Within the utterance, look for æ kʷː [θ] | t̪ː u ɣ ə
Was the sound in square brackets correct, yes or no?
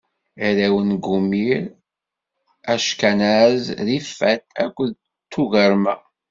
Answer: no